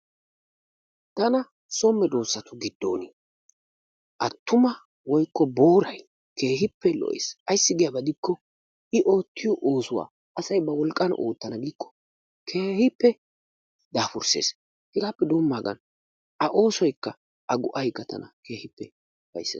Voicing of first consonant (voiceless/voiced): voiceless